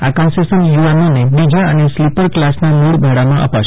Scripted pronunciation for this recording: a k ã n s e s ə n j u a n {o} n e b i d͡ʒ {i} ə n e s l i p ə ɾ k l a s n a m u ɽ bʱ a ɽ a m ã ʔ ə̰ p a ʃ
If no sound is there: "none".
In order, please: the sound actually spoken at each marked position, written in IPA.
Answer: o, a

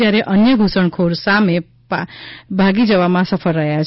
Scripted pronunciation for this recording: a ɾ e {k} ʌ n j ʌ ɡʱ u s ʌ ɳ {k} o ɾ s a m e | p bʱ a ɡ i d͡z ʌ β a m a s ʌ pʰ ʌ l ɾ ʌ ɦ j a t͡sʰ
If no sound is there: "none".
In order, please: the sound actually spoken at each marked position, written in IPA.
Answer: ʔ, kʰ

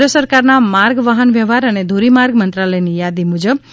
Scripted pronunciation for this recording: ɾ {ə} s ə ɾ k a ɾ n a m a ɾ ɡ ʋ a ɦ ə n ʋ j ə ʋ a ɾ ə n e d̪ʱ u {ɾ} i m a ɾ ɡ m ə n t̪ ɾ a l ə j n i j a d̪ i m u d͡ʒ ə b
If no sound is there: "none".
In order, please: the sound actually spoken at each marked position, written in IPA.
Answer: ə, ɾ

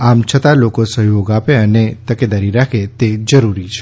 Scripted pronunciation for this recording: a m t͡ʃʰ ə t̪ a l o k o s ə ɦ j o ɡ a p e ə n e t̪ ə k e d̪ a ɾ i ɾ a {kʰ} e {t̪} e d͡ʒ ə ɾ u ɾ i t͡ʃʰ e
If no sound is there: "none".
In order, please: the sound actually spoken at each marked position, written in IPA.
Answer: kʰ, t̪

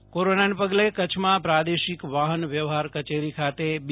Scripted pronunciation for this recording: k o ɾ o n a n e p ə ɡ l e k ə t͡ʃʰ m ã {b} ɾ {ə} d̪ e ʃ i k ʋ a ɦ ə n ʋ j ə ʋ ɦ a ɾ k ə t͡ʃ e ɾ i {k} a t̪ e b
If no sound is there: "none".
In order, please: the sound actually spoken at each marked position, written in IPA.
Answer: p, a, kʰ

